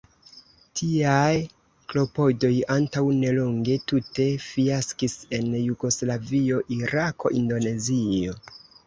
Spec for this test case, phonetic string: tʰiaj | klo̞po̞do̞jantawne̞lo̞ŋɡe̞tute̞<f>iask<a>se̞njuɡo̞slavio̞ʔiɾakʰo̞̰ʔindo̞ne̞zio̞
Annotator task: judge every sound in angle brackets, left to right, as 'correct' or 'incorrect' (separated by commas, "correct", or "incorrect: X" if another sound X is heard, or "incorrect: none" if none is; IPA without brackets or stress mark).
correct, incorrect: i